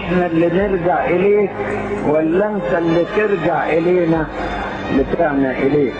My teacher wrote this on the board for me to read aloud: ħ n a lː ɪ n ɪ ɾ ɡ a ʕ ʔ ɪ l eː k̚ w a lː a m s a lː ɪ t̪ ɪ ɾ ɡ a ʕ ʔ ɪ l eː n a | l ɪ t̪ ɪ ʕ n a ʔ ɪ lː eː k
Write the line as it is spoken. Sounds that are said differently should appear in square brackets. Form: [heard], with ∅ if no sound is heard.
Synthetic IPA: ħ n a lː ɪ n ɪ ɾ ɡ a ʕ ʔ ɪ l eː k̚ w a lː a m s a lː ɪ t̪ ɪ ɾ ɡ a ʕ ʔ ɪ l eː n a | l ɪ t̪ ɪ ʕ n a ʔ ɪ [l] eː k